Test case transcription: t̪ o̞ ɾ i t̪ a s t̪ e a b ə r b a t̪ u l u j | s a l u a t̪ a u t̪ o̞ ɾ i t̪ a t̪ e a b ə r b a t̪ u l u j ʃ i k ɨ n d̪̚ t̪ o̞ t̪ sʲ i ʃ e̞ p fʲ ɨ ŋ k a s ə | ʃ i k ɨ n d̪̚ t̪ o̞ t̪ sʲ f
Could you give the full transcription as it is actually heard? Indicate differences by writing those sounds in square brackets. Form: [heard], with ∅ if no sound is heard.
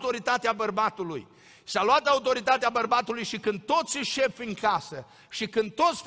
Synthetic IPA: t̪ o̞ ɾ i t̪ a [∅] t̪ e a b ə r b a t̪ u l u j | s a l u a t̪ a u t̪ o̞ ɾ i t̪ a t̪ e a b ə r b a t̪ u l u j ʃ i k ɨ n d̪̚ t̪ o̞ t̪ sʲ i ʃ e̞ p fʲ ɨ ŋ k a s ə | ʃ i k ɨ n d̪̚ t̪ o̞ t̪ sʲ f